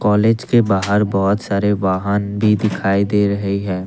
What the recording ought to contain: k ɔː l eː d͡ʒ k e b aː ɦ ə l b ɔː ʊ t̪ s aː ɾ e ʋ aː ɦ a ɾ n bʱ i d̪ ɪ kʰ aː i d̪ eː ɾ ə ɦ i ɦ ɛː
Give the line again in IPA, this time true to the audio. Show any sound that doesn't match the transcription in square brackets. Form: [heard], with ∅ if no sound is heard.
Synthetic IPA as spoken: k ɔː l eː d͡ʒ k e b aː ɦ ə [ɾ] b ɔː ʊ t̪ s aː ɾ e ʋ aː ɦ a [∅] n bʱ i d̪ ɪ kʰ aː i d̪ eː ɾ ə ɦ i ɦ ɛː

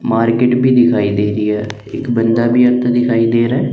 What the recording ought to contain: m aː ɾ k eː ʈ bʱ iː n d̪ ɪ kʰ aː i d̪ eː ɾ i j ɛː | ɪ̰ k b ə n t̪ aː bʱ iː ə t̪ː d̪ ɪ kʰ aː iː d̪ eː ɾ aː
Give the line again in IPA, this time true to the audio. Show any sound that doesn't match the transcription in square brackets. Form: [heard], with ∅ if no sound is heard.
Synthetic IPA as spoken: m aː ɾ k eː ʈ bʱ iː [∅] d̪ ɪ kʰ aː i d̪ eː ɾ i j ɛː | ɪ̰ k b ə n [d̪] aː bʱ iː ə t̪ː d̪ ɪ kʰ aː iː d̪ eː ɾ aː

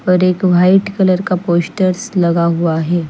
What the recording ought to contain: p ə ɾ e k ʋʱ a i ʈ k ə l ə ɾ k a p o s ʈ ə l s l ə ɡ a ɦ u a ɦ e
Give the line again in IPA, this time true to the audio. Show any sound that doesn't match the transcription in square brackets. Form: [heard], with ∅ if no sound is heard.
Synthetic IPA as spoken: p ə ɾ e k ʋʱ a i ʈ k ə l ə ɾ k a p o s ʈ ə [ɾ] s l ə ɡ a ɦ u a ɦ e

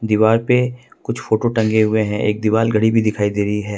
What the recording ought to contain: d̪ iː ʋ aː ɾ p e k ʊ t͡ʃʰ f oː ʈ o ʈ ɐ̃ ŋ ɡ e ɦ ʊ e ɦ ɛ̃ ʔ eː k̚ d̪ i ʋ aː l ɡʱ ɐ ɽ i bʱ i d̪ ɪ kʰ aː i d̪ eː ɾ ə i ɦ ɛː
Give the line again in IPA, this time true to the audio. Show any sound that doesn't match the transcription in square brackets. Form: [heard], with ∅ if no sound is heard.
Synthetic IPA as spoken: d̪ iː ʋ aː ɾ p e k ʊ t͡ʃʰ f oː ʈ o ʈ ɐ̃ ŋ ɡ e ɦ ʊ e ɦ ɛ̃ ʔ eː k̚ d̪ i ʋ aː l ɡʱ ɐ ɽ i bʱ i d̪ ɪ kʰ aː i d̪ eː ɾ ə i ɦ ɛː

